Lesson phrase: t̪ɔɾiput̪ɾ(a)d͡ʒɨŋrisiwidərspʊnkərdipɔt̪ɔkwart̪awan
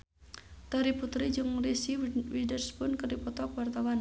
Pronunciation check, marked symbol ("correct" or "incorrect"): incorrect